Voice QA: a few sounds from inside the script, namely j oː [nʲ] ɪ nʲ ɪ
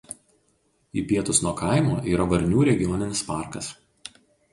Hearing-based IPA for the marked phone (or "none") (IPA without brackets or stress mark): nʲ